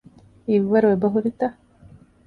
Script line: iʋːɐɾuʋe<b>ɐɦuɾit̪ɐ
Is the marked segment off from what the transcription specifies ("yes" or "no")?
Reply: no